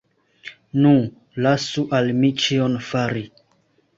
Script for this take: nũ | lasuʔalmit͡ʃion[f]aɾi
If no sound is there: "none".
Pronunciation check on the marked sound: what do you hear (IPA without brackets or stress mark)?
f